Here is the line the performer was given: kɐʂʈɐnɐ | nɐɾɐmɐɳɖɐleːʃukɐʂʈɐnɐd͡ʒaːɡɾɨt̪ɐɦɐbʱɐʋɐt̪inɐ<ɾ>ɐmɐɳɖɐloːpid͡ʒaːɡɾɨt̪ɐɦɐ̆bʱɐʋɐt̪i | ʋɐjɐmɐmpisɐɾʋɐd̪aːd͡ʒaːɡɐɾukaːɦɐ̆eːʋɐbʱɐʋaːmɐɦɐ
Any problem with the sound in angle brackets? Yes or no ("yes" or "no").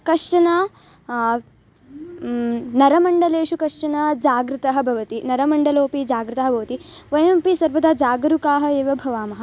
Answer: no